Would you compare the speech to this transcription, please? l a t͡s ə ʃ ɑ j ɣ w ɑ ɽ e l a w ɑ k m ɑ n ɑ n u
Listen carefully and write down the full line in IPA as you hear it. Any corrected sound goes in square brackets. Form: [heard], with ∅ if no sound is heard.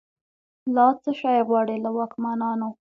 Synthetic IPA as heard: l [ɑ] t͡s ə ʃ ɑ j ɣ w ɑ ɽ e l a w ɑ k m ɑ n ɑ n [o]